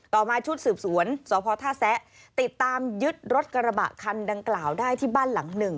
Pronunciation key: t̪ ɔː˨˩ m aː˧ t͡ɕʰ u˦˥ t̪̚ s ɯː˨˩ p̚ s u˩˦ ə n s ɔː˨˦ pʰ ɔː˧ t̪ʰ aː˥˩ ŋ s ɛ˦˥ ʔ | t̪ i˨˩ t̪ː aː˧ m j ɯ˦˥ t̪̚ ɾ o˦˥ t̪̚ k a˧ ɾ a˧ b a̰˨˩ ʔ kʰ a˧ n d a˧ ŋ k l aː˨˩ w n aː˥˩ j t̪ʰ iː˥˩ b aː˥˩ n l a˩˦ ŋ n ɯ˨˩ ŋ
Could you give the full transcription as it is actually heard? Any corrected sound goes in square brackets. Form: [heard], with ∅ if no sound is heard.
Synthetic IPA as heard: t̪ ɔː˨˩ m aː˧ t͡ɕʰ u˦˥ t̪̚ s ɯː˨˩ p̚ s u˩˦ ə n s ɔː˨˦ pʰ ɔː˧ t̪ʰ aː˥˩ [∅] s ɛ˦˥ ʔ | t̪ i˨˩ t̪ː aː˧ m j ɯ˦˥ t̪̚ ɾ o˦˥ t̪̚ k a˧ ɾ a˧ b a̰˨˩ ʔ kʰ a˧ n d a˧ ŋ k l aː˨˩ w [d] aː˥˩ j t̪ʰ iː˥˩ b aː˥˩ n l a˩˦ ŋ n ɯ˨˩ ŋ